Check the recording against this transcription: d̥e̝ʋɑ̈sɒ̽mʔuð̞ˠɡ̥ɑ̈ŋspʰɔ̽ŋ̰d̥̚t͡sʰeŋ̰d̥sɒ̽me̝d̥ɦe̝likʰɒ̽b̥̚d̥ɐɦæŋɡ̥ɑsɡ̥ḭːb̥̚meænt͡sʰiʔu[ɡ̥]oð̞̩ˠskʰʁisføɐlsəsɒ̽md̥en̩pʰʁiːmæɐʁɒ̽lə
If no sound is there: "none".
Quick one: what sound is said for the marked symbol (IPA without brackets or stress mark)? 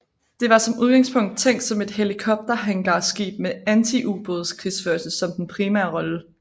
b̥